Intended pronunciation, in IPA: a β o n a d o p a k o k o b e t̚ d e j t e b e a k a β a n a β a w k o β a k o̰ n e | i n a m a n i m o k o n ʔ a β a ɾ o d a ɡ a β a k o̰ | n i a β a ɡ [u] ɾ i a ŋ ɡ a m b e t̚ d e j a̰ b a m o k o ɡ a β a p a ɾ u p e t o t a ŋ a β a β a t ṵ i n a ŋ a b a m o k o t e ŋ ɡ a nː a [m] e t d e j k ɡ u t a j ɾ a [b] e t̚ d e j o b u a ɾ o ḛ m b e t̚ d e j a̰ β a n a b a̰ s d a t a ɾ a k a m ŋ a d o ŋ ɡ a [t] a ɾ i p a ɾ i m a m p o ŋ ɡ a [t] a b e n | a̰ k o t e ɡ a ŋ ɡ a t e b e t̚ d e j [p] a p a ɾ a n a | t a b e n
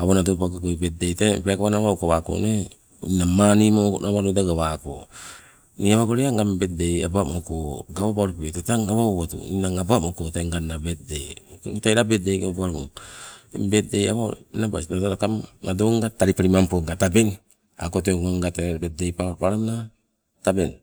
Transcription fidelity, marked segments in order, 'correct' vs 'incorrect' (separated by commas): incorrect, incorrect, correct, correct, correct, correct